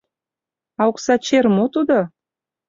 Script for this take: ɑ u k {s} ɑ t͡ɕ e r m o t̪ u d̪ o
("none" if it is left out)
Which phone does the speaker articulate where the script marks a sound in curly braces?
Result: s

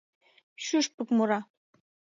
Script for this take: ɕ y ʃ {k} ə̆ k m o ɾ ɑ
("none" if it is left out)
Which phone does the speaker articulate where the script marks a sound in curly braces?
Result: p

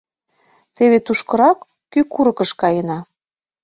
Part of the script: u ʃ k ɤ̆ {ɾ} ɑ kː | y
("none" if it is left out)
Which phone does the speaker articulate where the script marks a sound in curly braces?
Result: ɾ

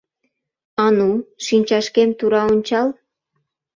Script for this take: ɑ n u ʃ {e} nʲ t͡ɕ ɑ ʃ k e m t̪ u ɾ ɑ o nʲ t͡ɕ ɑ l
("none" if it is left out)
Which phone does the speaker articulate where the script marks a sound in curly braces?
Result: i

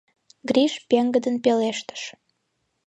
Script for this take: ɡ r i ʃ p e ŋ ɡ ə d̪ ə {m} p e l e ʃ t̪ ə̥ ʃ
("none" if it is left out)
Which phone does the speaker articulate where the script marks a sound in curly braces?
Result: n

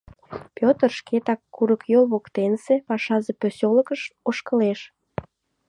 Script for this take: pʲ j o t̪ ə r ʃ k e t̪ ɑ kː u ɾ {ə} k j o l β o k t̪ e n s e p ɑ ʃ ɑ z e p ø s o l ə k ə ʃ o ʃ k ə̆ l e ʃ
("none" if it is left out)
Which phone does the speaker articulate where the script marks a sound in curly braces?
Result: ə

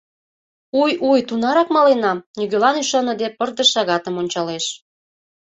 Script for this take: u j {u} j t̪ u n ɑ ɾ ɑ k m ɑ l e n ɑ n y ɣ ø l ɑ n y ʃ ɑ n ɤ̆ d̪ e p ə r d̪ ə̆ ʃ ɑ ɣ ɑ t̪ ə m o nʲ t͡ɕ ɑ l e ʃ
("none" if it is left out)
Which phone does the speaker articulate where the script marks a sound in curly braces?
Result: u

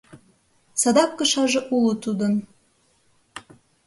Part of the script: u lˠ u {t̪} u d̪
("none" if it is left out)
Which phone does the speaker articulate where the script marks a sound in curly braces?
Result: t̪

